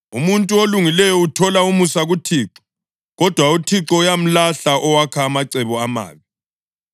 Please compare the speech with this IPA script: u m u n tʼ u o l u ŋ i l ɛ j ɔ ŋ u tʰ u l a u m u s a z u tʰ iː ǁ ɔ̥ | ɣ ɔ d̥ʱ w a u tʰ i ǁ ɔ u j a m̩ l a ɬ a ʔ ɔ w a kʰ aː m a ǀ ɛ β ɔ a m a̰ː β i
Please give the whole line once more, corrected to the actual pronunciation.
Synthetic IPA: u m u n tʼ u o l u ŋ i l ɛ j ɔ u tʰ ɔ l a u m u s a ɣ u tʰ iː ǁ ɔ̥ | ɣ ɔ d̥ʱ w a u tʰ i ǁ ɔ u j a m̩ l a ɬ a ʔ ɔ w a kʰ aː m a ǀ ɛ β ɔ a m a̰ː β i